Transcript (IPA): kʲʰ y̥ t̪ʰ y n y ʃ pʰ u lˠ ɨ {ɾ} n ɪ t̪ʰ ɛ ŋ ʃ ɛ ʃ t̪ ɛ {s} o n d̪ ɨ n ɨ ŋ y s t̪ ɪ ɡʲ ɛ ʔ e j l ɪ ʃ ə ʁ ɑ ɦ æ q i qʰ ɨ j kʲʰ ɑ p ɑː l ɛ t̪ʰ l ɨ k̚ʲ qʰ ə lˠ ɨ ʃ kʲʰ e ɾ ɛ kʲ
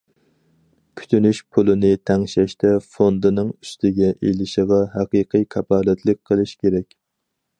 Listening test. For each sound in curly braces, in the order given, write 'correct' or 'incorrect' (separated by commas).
incorrect, incorrect